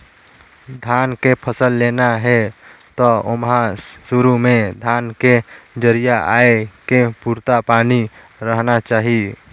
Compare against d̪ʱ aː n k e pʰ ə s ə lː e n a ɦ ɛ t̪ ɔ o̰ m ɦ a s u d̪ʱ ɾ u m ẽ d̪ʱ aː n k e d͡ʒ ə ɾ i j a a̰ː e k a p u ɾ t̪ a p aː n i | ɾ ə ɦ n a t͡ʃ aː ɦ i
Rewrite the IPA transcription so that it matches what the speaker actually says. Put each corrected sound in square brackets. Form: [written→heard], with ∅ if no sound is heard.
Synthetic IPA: d̪ʱ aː n k e pʰ ə s ə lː e n a ɦ ɛ t̪ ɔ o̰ m ɦ a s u [d̪ʱ→∅] ɾ u m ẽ d̪ʱ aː n k e d͡ʒ ə ɾ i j a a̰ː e k [a→e] p u ɾ t̪ a p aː n i | ɾ ə ɦ n a t͡ʃ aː ɦ i